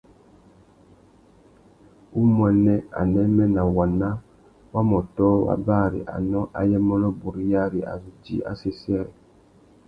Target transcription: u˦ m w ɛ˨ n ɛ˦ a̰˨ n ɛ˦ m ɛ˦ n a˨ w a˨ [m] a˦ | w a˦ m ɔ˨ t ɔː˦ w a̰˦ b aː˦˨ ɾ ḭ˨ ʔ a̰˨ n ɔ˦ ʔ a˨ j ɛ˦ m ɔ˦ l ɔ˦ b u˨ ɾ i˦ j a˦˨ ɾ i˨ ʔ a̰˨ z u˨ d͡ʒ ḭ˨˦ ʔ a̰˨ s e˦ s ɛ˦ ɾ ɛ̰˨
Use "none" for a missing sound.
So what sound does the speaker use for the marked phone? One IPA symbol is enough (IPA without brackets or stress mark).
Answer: n